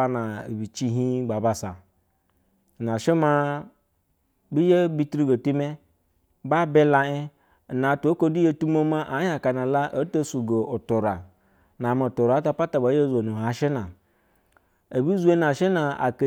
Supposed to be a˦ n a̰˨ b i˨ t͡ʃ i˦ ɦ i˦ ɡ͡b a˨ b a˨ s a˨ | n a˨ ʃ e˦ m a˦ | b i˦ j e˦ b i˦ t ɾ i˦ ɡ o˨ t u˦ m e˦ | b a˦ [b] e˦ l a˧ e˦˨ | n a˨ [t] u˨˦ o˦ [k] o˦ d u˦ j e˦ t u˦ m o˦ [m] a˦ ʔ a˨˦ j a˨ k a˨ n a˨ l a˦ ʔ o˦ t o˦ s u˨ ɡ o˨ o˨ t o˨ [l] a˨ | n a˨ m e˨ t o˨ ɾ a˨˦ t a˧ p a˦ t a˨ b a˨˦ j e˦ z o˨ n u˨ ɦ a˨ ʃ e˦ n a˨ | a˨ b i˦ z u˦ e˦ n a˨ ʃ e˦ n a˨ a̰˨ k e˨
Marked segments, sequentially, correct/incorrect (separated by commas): correct, correct, correct, correct, incorrect